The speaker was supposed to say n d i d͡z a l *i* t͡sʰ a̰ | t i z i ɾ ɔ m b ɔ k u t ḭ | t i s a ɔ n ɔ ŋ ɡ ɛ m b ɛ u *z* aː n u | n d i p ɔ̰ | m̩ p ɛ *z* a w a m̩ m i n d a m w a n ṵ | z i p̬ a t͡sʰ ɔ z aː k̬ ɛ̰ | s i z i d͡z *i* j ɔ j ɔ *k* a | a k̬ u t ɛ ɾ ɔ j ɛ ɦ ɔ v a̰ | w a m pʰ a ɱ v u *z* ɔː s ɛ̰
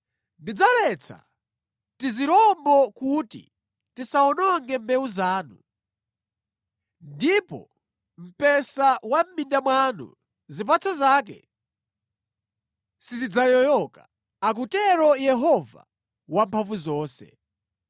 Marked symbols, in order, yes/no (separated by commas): no, yes, no, no, yes, yes